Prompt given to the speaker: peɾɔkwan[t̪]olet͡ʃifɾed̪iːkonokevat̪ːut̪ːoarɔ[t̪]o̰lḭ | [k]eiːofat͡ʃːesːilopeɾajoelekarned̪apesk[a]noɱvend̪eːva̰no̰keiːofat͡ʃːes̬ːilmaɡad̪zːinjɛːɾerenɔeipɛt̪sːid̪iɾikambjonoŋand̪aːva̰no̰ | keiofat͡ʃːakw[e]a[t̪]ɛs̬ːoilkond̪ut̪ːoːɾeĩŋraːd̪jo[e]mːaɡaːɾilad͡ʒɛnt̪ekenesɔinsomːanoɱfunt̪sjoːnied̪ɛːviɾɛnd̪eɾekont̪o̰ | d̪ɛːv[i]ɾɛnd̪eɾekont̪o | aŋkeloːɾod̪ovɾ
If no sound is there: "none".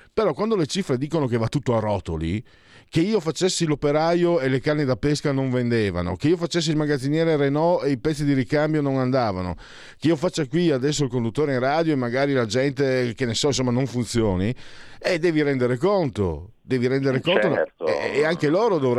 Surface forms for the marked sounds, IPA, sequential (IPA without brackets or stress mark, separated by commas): d̪, t̪, k, a, i, d̪, e, i